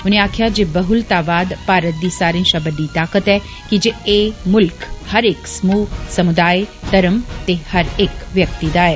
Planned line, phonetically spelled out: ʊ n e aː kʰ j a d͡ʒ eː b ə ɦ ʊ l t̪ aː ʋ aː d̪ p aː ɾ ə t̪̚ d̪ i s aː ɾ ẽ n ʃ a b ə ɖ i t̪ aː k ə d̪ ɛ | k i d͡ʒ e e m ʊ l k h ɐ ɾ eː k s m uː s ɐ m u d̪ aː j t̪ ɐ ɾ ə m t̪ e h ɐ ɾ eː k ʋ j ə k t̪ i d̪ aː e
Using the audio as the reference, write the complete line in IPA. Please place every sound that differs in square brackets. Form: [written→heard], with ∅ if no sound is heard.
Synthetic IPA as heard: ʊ n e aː kʰ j a d͡ʒ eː b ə ɦ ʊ l t̪ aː ʋ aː d̪ p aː ɾ ə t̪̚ d̪ i s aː ɾ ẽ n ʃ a b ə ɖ i t̪ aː k ə [d̪→t̪] ɛ | k i d͡ʒ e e m ʊ l k h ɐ ɾ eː k s m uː s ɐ m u d̪ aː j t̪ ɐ ɾ ə m t̪ e h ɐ ɾ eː k ʋ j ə k t̪ i d̪ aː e

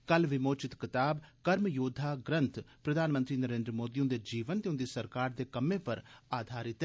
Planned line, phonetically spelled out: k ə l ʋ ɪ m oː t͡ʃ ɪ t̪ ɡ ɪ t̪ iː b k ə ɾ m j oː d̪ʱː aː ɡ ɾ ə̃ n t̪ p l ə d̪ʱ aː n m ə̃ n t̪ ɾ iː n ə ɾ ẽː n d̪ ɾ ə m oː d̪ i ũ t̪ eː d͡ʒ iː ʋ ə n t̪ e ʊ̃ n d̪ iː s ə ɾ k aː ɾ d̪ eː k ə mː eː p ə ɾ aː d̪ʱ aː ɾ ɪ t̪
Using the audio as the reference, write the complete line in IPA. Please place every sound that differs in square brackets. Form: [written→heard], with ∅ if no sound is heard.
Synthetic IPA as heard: k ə l ʋ ɪ m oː t͡ʃ ɪ t̪ [ɡ→k] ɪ t̪ [iː→aː] b k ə ɾ m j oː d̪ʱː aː ɡ ɾ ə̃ n t̪ p [l→ɾ] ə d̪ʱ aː n m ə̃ n t̪ ɾ iː n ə ɾ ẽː n d̪ ɾ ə m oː d̪ i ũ [t̪→d̪] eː d͡ʒ iː ʋ ə n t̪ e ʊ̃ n d̪ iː s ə ɾ k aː ɾ d̪ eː k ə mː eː p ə ɾ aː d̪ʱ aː ɾ ɪ t̪

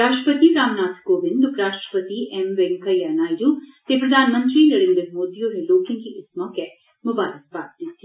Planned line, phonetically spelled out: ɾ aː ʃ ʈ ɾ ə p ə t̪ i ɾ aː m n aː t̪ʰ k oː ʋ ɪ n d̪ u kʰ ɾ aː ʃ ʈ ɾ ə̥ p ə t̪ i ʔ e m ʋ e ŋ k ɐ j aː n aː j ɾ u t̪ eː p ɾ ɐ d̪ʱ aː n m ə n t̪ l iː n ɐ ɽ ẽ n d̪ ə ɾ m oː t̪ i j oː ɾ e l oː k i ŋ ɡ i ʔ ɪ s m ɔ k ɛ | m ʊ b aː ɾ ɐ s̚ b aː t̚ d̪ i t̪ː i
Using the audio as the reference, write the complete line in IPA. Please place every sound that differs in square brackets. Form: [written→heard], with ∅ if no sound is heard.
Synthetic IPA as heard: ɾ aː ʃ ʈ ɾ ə p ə t̪ i ɾ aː m n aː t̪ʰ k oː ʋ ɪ n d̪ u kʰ ɾ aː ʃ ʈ ɾ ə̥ p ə t̪ i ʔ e m ʋ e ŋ k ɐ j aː n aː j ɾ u t̪ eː p ɾ ɐ d̪ʱ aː n m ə n t̪ [l→ɾ] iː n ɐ ɽ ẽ n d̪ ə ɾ m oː [t̪→d̪] i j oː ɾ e l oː k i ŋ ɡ i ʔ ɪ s m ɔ k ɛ | m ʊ b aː ɾ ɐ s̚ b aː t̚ d̪ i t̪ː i

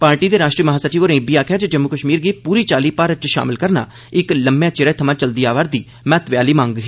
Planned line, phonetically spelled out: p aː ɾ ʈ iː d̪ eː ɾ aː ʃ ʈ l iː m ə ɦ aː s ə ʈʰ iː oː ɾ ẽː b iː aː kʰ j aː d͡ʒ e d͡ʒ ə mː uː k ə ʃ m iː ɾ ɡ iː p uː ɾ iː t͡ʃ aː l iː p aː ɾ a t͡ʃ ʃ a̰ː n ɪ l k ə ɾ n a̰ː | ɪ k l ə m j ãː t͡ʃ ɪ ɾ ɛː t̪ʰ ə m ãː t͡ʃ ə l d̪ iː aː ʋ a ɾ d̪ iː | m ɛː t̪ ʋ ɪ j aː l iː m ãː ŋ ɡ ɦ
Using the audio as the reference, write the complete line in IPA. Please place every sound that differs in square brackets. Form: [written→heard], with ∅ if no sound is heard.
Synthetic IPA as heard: p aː ɾ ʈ iː d̪ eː ɾ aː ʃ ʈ [l→ɾ] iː m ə ɦ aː s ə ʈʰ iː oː ɾ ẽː b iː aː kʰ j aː d͡ʒ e d͡ʒ ə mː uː k ə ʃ m iː ɾ ɡ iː p uː ɾ iː t͡ʃ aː l iː p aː ɾ [a→ə] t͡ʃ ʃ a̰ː [n→m] ɪ l k ə ɾ n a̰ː | ɪ k l ə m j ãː t͡ʃ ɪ ɾ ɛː t̪ʰ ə m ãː t͡ʃ ə l d̪ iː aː ʋ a ɾ d̪ iː | m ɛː t̪ ʋ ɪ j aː l iː m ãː ŋ ɡ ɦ

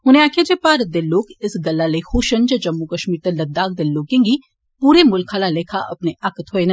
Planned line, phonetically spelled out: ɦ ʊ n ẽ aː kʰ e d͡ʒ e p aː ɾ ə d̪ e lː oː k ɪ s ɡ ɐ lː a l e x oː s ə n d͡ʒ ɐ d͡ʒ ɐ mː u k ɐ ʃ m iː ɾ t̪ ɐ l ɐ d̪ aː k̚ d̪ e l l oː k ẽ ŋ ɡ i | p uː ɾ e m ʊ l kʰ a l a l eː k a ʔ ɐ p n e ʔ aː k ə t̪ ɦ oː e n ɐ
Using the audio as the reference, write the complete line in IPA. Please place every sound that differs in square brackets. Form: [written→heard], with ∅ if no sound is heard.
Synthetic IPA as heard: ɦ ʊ n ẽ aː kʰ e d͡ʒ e p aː ɾ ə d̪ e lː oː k ɪ s ɡ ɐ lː a l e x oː [s→ʃ] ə n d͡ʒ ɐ d͡ʒ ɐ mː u k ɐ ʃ m iː ɾ t̪ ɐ l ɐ d̪ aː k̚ d̪ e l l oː k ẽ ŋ ɡ i | p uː ɾ e m ʊ l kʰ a l a l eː [k→kʰ] a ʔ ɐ p n e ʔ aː k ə t̪ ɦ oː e n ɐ

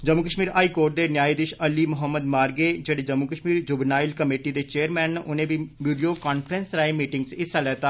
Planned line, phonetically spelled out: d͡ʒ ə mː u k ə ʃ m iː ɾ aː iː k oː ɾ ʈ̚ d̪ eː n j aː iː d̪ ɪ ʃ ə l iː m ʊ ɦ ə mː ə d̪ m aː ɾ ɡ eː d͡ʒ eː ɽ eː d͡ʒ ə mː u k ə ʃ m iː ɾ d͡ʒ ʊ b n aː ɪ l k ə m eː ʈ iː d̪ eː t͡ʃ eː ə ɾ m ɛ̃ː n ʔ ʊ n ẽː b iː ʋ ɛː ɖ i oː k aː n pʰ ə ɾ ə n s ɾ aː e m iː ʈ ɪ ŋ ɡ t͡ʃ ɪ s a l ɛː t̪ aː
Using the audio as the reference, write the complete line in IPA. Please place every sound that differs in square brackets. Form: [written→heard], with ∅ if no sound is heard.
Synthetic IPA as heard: d͡ʒ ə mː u k ə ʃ m iː ɾ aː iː k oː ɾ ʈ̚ d̪ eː n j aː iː d̪ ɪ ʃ ə l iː m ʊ ɦ ə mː ə d̪ m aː ɾ ɡ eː d͡ʒ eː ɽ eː d͡ʒ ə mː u k ə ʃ m iː ɾ d͡ʒ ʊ b n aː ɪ l k ə m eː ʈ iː d̪ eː t͡ʃ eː ə ɾ m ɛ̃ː n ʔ ʊ n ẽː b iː ʋ [ɛː→iː] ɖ i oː k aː n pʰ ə ɾ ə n s ɾ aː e m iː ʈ ɪ ŋ ɡ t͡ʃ ɪ s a l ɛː t̪ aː

